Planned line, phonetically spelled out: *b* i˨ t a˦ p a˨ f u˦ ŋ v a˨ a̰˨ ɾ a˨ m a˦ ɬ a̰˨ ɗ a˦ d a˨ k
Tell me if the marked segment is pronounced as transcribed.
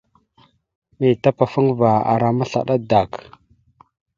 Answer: no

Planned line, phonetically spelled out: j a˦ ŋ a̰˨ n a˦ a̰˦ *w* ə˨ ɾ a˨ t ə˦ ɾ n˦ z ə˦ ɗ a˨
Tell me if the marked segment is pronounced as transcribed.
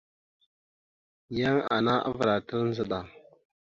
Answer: no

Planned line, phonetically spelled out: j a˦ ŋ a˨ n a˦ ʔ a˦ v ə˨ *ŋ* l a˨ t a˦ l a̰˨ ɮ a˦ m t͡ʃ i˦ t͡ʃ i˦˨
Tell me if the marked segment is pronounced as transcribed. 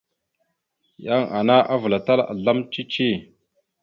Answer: no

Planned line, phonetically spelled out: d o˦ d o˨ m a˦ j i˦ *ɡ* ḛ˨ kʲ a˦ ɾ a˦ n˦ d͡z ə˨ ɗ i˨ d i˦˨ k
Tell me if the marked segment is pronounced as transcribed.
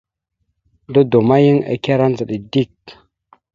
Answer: no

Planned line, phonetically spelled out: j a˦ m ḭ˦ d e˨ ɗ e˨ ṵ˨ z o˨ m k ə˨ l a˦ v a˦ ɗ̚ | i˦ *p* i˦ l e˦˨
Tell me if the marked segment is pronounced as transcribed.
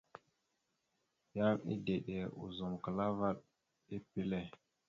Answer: yes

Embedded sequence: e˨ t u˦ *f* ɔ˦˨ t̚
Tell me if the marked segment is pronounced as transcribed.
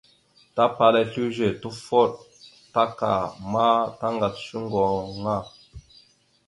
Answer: yes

